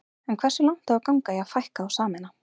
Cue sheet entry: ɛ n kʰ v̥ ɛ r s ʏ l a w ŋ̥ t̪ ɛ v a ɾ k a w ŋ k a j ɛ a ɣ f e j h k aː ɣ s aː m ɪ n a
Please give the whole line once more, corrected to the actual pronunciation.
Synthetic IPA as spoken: ɛ n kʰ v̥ ɛ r s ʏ l a w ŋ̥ t̪ a v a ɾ k a w ŋ k a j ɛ a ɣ f a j h k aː w s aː m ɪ n a